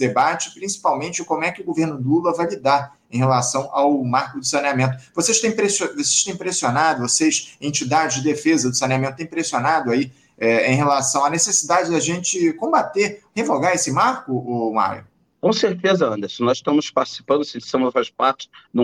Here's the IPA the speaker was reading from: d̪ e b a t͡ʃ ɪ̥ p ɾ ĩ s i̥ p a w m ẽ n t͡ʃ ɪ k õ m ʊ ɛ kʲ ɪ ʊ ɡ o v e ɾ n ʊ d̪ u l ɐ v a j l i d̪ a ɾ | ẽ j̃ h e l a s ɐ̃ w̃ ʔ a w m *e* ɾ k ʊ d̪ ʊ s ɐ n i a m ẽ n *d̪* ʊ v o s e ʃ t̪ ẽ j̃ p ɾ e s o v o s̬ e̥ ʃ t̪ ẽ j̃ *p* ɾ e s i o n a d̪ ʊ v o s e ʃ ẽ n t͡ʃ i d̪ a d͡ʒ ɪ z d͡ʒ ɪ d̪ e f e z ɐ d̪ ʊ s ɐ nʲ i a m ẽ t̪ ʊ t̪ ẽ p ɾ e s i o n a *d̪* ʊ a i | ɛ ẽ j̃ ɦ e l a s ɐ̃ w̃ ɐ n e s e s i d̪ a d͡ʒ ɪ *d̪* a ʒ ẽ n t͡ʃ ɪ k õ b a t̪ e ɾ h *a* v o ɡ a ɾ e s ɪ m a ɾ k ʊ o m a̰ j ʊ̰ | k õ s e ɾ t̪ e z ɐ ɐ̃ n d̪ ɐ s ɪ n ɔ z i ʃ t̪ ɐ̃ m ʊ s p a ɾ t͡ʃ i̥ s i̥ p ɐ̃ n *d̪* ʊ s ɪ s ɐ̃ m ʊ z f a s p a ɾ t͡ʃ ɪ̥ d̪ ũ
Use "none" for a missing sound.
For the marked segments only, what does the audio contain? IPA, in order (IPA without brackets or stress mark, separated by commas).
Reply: a, t̪, p, d̪, d̪, e, d̪